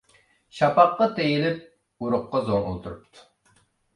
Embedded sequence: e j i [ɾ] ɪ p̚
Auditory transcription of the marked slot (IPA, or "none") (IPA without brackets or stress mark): l